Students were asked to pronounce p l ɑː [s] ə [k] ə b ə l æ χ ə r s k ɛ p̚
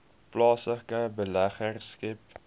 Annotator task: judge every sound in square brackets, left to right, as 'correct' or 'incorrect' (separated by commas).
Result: correct, correct